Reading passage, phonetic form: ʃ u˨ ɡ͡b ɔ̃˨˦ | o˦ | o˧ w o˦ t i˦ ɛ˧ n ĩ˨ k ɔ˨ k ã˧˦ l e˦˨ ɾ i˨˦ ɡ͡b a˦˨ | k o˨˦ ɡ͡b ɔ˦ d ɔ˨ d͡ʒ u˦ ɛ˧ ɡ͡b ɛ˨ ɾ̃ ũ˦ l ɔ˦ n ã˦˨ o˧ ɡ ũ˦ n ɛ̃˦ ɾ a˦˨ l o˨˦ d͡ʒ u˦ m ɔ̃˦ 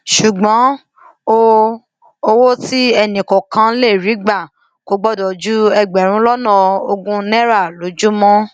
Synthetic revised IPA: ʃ u˨ ɡ͡b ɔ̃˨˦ | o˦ | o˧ w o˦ t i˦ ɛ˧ n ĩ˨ k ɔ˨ k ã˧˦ l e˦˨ ɾ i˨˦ ɡ͡b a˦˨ | k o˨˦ ɡ͡b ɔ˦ d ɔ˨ d͡ʒ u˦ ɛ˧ ɡ͡b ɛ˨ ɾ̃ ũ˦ l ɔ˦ n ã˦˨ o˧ ɡ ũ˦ n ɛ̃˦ ɾ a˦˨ l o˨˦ d͡ʒ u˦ m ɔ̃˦